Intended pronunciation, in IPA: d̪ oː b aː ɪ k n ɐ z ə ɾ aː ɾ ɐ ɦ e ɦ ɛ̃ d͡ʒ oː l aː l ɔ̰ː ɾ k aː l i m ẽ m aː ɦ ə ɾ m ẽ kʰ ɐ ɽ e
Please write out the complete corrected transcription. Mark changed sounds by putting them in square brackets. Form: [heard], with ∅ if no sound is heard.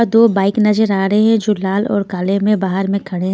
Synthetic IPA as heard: d̪ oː b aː ɪ k n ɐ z ə ɾ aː ɾ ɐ ɦ e ɦ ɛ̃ d͡ʒ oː l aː l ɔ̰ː ɾ k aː l [e] m ẽ [b] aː ɦ ə ɾ m ẽ kʰ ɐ ɽ e